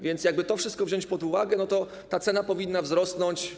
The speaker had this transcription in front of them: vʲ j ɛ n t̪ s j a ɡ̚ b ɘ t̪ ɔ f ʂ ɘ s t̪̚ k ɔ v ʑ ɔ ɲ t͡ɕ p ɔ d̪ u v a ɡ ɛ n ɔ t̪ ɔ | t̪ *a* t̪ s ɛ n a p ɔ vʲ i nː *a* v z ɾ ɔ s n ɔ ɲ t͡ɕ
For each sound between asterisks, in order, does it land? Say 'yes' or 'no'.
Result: yes, yes

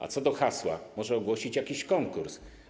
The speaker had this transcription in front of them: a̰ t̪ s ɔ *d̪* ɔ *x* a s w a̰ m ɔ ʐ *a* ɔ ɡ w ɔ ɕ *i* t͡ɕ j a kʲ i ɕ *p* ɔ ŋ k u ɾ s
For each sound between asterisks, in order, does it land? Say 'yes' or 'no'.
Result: yes, yes, no, yes, no

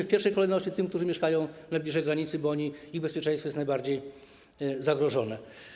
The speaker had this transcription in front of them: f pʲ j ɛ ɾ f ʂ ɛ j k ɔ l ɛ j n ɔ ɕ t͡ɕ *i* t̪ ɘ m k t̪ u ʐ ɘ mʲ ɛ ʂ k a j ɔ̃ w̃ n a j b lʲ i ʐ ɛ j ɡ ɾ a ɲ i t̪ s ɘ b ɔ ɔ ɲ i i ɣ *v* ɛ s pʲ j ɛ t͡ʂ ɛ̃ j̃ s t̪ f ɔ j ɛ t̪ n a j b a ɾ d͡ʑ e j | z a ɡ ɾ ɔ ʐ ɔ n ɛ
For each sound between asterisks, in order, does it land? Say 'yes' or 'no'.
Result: yes, no

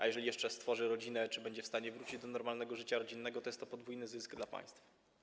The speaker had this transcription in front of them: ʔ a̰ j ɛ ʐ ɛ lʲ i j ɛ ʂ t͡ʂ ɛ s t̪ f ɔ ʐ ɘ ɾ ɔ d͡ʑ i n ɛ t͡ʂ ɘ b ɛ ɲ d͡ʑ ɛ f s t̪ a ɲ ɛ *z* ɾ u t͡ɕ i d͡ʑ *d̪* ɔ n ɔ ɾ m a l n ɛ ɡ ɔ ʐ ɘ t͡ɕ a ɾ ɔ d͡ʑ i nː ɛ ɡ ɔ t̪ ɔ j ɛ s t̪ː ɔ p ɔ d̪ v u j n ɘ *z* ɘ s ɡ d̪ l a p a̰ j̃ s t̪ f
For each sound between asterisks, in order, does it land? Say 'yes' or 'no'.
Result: no, yes, yes

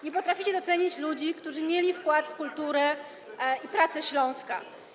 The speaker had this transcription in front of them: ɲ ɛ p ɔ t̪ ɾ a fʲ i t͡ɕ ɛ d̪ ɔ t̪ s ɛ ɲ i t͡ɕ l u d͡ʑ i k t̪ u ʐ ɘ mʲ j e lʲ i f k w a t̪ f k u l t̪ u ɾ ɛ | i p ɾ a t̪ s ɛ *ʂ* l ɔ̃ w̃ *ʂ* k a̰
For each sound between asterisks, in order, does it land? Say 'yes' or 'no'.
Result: no, no

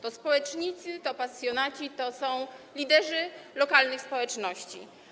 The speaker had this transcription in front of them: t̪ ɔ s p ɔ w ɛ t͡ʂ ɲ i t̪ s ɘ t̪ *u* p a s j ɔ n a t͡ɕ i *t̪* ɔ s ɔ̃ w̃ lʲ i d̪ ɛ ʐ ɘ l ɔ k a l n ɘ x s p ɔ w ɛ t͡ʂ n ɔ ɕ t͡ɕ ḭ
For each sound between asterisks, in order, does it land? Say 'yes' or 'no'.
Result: no, yes

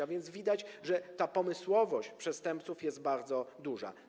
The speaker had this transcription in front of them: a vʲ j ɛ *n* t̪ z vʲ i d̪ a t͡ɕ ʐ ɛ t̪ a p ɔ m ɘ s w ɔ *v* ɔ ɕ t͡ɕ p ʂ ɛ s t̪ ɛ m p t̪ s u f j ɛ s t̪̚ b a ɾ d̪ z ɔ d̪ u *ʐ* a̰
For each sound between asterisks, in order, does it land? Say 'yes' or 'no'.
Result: yes, yes, yes

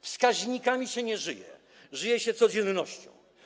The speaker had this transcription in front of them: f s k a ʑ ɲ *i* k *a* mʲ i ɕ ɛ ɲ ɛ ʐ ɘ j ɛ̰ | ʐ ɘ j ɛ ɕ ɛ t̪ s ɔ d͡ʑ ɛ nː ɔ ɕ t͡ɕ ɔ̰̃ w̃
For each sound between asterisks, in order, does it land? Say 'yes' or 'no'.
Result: yes, yes

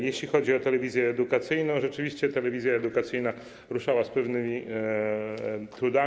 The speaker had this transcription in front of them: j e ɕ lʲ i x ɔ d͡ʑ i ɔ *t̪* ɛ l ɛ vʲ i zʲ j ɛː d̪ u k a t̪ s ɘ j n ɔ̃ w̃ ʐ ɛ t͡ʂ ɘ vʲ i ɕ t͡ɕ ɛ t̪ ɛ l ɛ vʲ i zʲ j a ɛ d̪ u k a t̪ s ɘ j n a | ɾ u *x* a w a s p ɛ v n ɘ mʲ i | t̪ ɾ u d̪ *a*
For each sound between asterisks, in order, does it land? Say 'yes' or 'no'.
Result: yes, no, yes

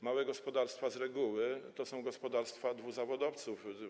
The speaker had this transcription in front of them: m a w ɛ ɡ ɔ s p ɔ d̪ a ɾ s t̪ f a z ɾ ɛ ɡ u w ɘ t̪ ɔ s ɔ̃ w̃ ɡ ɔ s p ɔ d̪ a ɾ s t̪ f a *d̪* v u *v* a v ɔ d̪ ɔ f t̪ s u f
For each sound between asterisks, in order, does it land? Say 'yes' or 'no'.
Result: yes, no

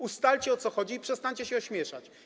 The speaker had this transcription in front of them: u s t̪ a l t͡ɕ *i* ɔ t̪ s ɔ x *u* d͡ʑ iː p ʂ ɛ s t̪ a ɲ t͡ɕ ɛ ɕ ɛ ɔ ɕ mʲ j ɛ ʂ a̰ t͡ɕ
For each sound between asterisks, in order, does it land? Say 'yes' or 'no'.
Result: no, no

